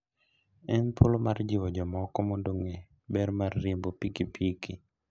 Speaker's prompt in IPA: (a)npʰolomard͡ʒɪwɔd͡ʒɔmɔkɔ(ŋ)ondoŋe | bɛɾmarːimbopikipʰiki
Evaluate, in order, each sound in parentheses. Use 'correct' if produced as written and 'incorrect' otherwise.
incorrect: ɛ, incorrect: m

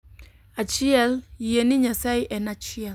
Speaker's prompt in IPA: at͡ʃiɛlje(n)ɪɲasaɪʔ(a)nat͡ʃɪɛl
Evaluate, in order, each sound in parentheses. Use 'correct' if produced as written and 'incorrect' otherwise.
correct, incorrect: ɛ

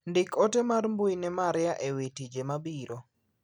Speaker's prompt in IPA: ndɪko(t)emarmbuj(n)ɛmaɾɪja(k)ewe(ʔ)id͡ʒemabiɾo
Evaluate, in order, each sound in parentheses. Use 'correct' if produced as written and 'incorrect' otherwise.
correct, correct, incorrect: ʔ, incorrect: t

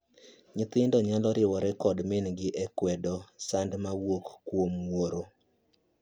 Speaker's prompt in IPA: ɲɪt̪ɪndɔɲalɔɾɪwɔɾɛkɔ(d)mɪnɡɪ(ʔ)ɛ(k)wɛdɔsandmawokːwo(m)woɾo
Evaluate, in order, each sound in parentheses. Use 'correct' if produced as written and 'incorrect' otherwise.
correct, correct, correct, correct

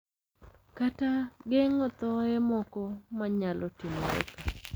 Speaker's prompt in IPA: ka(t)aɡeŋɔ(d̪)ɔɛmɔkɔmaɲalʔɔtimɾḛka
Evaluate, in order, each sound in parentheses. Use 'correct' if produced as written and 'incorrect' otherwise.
correct, incorrect: t̪

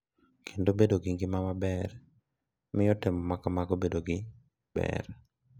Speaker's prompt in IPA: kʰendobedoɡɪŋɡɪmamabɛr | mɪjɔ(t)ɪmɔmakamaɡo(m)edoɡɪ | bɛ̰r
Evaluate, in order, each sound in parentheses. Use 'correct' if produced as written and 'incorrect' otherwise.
correct, incorrect: b

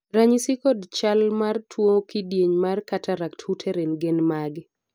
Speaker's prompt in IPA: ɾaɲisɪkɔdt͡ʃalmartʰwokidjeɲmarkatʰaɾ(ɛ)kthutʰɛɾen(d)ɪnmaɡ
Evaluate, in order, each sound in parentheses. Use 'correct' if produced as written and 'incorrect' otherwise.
incorrect: a, incorrect: ɡ

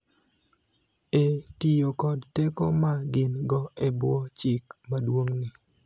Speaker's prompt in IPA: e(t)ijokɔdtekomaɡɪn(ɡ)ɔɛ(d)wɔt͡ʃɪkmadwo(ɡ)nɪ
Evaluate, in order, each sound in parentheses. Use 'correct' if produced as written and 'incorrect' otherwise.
correct, correct, incorrect: b, incorrect: ŋ

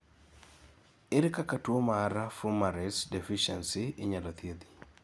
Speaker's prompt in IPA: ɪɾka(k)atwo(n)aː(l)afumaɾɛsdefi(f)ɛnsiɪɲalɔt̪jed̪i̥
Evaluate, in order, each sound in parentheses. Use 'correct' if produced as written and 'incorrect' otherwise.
correct, incorrect: m, incorrect: ɾ, incorrect: ʃ

